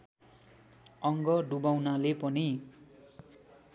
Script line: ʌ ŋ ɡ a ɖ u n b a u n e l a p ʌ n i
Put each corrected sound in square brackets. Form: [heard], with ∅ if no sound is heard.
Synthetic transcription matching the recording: ʌ ŋ ɡ [ʌ] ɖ u [∅] b a [w] n [a] l [e] p ʌ n i